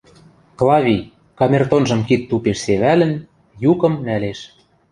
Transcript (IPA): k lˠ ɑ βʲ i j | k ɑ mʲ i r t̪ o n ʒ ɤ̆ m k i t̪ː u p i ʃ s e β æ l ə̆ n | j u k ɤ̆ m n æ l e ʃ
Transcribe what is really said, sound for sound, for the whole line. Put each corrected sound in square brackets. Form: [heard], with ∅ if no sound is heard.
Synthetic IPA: k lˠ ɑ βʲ i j | k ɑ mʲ [e] r t̪ o n ʒ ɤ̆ m k i t̪ː u p [e] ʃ s e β æ l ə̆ n | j u k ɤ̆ m n æ l e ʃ